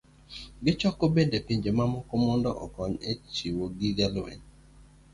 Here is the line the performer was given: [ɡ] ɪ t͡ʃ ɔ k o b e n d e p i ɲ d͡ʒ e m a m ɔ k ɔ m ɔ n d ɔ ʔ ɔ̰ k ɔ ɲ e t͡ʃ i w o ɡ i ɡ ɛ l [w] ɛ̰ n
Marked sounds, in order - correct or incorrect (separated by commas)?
correct, correct